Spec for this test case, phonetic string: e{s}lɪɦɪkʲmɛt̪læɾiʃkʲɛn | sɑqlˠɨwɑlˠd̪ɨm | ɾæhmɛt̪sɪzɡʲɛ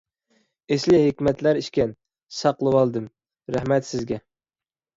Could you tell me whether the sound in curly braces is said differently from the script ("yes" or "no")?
no